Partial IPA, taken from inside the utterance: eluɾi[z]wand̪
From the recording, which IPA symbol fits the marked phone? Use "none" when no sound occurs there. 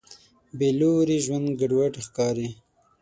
ʒ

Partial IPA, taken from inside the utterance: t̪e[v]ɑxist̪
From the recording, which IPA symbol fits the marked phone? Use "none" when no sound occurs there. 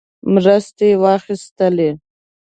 w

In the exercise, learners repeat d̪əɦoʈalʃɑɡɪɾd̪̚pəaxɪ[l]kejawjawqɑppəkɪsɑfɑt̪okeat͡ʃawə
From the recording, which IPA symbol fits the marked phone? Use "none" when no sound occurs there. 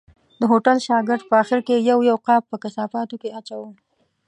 ɾ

